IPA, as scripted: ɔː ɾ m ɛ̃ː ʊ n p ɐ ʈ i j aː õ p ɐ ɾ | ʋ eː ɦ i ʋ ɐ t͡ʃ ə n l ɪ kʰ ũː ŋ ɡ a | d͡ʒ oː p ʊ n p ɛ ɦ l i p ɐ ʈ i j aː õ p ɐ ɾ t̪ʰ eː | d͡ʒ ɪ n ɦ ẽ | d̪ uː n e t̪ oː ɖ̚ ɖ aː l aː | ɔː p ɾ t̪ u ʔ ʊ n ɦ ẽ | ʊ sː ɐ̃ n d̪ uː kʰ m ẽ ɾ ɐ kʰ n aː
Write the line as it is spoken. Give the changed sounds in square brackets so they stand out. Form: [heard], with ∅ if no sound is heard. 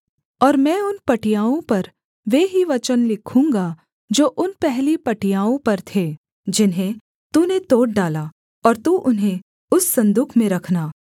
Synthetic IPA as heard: ɔː ɾ m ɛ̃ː ʊ n p ɐ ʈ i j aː õ p ɐ ɾ | ʋ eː ɦ i ʋ ɐ t͡ʃ ə n l ɪ kʰ ũː ŋ ɡ a | d͡ʒ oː [ʔ] ʊ n p ɛ ɦ l i p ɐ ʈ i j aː õ p ɐ ɾ t̪ʰ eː | d͡ʒ ɪ n ɦ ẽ | [t̪] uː n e t̪ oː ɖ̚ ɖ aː l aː | ɔː [∅] ɾ t̪ u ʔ ʊ n ɦ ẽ | ʊ sː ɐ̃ n d̪ uː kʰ m ẽ ɾ ɐ kʰ n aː